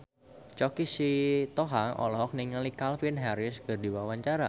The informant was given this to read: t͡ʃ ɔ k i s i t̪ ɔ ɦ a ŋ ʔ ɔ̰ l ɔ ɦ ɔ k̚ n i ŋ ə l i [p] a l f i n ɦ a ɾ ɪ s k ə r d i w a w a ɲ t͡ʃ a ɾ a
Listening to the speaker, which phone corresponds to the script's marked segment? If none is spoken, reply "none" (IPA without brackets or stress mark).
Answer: k